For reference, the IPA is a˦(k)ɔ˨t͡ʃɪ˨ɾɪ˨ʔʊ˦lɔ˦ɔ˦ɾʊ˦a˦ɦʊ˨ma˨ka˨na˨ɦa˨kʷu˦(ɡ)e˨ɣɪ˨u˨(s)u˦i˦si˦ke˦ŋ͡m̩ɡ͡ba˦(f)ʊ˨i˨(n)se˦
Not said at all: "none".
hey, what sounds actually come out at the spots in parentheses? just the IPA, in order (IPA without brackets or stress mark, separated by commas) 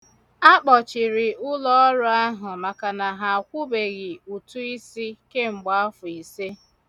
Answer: k͡p, b, t, f, none